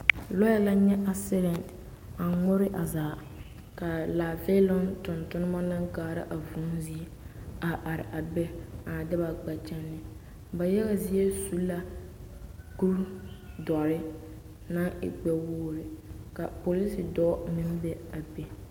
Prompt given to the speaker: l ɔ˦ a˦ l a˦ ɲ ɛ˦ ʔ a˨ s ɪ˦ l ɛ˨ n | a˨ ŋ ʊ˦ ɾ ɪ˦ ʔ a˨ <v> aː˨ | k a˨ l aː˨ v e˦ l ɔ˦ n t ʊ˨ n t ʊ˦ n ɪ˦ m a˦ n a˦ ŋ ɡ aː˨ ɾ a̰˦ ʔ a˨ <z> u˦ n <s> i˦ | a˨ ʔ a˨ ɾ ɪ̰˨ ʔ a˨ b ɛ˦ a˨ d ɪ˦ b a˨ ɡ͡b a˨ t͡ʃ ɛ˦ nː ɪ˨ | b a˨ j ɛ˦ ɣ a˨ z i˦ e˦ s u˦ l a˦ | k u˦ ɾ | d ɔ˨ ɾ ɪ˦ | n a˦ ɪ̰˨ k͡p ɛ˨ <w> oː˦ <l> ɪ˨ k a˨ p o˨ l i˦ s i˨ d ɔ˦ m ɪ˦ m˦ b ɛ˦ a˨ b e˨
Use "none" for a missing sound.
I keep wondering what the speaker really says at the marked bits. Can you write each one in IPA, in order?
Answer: z, v, z, w, ɾ

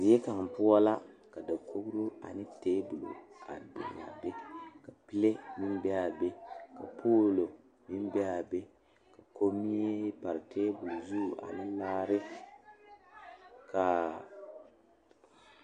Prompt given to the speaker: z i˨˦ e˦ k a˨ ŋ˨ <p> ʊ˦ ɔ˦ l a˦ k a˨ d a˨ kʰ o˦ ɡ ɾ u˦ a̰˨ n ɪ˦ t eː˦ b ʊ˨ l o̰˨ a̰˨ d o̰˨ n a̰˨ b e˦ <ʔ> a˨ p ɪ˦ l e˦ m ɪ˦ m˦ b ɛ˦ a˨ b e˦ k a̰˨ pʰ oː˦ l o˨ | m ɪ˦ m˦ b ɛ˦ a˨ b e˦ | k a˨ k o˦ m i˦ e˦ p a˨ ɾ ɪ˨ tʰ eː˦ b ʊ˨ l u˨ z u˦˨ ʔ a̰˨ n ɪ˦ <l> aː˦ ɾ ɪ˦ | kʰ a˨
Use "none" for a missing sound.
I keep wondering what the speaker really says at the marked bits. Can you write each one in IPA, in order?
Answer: p, k, l

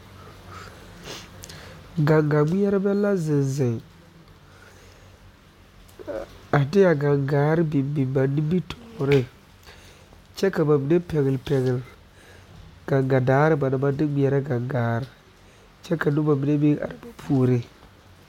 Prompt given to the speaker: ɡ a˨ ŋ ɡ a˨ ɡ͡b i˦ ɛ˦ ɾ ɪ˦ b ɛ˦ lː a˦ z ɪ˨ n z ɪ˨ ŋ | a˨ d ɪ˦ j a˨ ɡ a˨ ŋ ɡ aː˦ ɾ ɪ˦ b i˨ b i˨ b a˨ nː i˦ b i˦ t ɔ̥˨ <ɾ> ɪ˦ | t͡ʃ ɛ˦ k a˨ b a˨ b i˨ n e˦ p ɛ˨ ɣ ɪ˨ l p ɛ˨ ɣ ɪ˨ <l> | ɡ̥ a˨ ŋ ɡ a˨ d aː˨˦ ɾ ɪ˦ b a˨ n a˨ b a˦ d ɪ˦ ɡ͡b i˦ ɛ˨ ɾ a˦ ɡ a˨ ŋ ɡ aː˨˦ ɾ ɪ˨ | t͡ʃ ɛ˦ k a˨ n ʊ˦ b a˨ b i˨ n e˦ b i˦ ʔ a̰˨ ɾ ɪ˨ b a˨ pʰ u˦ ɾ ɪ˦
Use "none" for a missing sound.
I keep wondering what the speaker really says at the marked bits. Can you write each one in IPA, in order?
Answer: ɾ, l

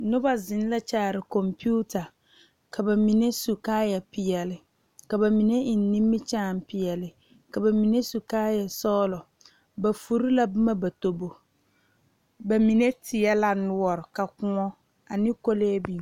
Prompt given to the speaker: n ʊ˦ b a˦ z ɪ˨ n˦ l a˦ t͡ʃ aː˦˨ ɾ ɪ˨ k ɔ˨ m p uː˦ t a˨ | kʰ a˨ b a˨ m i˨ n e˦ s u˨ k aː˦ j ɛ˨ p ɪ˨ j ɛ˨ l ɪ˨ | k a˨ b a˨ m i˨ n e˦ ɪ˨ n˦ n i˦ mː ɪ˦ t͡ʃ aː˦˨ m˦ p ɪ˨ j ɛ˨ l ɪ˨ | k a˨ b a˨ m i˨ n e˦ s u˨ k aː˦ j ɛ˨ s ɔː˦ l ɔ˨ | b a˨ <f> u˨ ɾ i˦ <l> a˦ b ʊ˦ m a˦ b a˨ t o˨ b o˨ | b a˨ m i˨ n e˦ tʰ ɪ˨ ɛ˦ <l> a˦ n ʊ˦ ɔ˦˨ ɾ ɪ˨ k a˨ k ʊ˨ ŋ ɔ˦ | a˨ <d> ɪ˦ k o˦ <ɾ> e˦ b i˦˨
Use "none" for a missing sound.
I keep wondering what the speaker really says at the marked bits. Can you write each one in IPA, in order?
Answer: f, l, l, n, l

